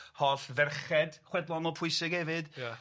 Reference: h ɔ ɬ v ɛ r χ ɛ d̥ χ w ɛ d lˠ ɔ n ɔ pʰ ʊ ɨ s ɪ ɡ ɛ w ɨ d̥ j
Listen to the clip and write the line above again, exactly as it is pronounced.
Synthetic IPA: h ɔ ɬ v ɛ r χ ɛ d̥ χ w ɛ d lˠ ɔ n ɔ pʰ ʊ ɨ s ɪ ɡ ɛ v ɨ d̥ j

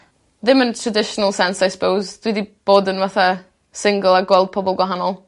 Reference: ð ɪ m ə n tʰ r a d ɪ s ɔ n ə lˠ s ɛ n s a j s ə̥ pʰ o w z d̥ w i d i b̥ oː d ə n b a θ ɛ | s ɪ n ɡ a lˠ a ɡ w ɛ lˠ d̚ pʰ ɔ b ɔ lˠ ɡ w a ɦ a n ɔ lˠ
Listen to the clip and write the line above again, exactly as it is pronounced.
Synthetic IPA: ð ɪ m ə n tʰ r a d ɪ ʃ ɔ n ə lˠ s ɛ n s a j s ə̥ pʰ o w z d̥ w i d i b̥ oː d ə n v a θ a | s ɪ ŋ ɡ ə lˠ a ɡ w ɛ lˠ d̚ pʰ ɔ b ɔ lˠ ɡ w a ɦ a n ɔ lˠ

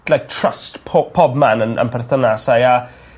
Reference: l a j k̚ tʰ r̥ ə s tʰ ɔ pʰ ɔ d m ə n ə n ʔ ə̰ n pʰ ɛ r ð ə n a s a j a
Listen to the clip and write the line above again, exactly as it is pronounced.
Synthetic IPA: l a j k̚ tʰ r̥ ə s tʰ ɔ pʰ ɔ b m a n ə n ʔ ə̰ n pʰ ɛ r θ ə n a s a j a

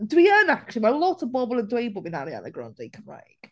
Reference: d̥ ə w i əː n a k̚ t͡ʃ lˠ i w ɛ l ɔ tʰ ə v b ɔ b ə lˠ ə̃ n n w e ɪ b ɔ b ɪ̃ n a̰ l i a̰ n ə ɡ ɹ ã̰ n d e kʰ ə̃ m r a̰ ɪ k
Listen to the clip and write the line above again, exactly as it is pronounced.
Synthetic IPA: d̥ ə w i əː n a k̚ t͡ʃ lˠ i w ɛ l ɔ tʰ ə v b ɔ b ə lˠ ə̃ n d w e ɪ b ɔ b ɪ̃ n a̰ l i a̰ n ə ɡ ɹ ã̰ n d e kʰ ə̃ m ɹ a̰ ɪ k

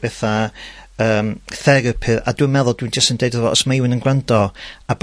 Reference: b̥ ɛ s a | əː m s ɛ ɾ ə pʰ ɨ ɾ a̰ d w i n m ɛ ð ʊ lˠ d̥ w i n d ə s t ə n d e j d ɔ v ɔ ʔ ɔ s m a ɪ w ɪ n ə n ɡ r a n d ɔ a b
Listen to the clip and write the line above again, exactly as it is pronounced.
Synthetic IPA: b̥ ɛ θ a | əː m θ ɛ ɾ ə pʰ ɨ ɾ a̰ d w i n m ɛ ð ʊ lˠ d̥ w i n d͡ʒ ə s t ə n d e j d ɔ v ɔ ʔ ɔ s m a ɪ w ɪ n ə n ɡ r a n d ɔ a b

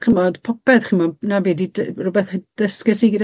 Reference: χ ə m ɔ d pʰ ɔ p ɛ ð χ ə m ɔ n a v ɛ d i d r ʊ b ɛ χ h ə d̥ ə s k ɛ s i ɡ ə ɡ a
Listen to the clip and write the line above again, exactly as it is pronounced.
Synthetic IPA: χ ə m ɔ d pʰ ɔ p ɛ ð χ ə m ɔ n a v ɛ d i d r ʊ b ɛ θ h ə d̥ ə s k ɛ s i ɡ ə d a

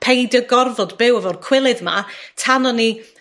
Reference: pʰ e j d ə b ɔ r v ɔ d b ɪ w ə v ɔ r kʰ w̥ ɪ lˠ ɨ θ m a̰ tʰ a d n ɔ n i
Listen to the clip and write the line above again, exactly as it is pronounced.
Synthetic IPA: pʰ e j d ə ɡ ɔ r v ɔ d b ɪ w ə v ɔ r kʰ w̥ ɪ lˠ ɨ ð m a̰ tʰ a n ɔ n i

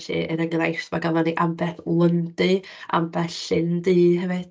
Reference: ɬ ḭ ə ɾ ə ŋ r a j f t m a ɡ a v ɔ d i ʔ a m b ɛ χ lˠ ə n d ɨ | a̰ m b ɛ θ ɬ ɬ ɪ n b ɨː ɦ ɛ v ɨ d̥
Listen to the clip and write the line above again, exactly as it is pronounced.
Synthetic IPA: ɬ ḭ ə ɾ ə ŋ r a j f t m a ɡ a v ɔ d i ʔ a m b ɛ θ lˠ ə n d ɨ | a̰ m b ɛ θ ɬ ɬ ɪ n d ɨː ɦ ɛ v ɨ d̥

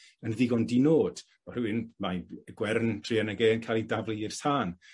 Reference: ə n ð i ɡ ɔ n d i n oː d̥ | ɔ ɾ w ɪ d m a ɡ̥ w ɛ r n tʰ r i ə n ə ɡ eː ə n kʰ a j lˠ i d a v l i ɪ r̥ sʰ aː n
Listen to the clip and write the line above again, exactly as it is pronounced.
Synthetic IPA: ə n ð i ɡ ɔ n d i n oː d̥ | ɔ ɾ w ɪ n m a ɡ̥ w ɛ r n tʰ r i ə n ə ɡ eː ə n kʰ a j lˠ i d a v l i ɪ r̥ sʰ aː n

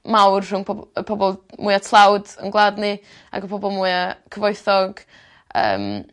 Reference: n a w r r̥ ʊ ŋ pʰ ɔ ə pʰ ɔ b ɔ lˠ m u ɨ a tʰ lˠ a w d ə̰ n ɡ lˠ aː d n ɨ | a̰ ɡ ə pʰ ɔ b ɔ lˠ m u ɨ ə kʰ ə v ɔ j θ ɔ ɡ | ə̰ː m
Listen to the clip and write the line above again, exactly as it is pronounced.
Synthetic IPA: m a w r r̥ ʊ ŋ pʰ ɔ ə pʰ ɔ b ɔ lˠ m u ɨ a tʰ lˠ a w d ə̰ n ɡ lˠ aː d n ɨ | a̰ ɡ ə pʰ ɔ b ɔ lˠ m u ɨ a kʰ ə v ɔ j θ ɔ ɡ | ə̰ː m

